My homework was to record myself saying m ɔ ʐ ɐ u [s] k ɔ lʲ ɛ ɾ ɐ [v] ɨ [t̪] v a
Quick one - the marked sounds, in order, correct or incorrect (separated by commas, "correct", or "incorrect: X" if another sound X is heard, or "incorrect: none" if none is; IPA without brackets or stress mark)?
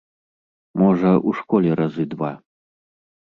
incorrect: ʂ, incorrect: z, incorrect: d̪